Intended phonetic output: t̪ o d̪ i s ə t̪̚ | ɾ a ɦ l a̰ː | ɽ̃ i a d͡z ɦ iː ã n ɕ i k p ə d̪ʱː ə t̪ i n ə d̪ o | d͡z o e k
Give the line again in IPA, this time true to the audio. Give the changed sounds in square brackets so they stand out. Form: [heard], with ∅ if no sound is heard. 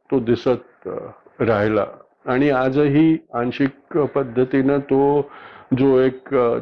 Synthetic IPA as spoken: t̪ o d̪ i s ə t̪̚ | ɾ a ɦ l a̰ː | ɽ̃ i a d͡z ɦ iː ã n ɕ i k p ə d̪ʱː ə t̪ i n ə [t̪] o | d͡z o e k